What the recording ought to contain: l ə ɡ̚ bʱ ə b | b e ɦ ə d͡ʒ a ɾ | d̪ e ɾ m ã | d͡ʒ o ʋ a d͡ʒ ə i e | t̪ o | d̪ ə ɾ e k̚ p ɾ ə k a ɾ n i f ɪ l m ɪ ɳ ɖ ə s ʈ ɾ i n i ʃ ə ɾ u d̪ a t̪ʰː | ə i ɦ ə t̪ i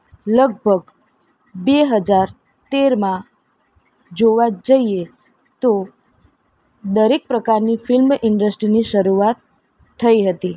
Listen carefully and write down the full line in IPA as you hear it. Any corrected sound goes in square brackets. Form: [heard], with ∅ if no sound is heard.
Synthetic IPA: l ə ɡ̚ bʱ ə [ɡ] | b e ɦ ə d͡ʒ a ɾ | [t̪] e ɾ m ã | d͡ʒ o ʋ a d͡ʒ ə i e | t̪ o | d̪ ə ɾ e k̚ p ɾ ə k a ɾ n i f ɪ l m ɪ ɳ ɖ ə s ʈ ɾ i n i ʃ ə ɾ u [∅] a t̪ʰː | ə i ɦ ə t̪ i

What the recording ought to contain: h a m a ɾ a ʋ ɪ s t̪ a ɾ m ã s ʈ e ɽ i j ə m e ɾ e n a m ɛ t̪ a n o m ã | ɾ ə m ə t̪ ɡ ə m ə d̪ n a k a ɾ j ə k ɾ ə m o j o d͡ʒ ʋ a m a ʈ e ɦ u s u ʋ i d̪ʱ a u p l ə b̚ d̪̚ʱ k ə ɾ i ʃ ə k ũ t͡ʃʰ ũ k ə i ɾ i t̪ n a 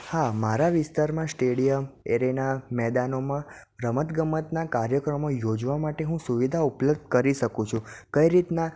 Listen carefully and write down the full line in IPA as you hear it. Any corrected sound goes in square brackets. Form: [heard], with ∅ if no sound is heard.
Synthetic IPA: h a m a ɾ a ʋ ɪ s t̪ a ɾ m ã s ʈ e ɽ i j ə m e ɾ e n a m ɛ [d̪] a n o m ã | ɾ ə m ə t̪ ɡ ə m ə [t̪] n a k a ɾ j ə k ɾ ə m o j o d͡ʒ ʋ a m a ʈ e ɦ [ũ] s u ʋ i d̪ʱ a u p l ə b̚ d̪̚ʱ k ə ɾ i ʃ ə k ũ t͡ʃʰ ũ k ə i ɾ i t̪ n a

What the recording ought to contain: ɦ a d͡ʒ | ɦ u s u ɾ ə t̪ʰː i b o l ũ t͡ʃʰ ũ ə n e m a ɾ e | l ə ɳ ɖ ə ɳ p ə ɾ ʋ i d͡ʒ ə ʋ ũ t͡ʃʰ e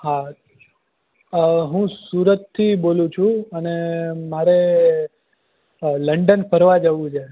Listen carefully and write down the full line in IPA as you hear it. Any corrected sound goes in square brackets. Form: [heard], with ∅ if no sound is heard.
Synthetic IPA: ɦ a [∅] | ɦ [ũ] s u ɾ ə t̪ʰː i b o l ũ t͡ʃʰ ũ ə n e m a ɾ e | l ə ɳ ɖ ə [n] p ə ɾ ʋ [a] d͡ʒ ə ʋ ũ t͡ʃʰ e

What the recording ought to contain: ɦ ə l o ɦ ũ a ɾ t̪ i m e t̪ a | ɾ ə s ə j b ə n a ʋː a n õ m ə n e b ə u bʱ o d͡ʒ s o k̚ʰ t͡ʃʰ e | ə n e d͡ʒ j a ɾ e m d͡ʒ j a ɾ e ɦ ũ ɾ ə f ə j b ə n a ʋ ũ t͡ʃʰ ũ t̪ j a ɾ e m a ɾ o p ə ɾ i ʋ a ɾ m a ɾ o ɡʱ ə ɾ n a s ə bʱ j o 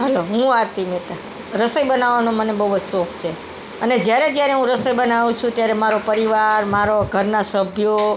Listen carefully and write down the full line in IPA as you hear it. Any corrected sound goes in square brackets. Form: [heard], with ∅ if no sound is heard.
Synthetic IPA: ɦ ə l o ɦ ũ a ɾ t̪ i m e t̪ a | ɾ ə s ə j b ə n a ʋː a n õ m ə n e b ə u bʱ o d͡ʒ s o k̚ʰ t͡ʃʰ e | ə n e d͡ʒ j a ɾ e [∅] d͡ʒ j a ɾ e ɦ ũ ɾ ə [s] ə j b ə n a ʋ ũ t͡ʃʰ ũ t̪ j a ɾ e m a ɾ o p ə ɾ i ʋ a ɾ m a ɾ o ɡʱ ə ɾ n a s ə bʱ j o

